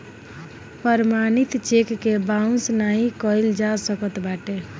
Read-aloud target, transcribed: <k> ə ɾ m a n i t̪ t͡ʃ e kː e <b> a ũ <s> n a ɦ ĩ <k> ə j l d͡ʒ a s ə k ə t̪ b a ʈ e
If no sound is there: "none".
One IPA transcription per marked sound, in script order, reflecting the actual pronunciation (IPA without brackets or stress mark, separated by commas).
p, b, s, k